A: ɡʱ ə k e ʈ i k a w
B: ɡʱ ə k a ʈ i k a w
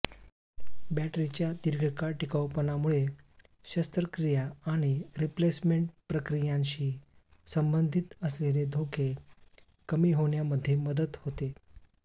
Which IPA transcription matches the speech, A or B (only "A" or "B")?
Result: B